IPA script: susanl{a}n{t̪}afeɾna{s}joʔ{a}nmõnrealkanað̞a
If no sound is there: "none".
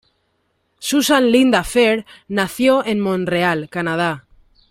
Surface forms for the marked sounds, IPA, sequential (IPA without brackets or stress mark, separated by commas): i, d̪, θ, e